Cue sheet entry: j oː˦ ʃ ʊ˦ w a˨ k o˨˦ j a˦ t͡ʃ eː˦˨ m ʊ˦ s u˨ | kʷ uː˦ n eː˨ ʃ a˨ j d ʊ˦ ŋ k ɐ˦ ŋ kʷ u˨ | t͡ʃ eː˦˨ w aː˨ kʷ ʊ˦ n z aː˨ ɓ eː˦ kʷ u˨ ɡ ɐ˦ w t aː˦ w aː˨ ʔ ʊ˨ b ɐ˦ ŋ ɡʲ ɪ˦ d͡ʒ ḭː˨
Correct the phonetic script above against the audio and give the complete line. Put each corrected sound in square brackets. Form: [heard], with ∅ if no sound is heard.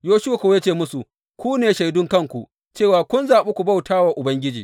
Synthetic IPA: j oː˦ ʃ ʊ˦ w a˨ k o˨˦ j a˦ t͡ʃ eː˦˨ m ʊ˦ s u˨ | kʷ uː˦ n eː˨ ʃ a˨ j d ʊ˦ ŋ k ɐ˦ ŋ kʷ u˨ | t͡ʃ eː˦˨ w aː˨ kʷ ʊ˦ n z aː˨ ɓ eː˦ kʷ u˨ [b] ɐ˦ w t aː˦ w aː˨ ʔ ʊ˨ b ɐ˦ ŋ ɡʲ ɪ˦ d͡ʒ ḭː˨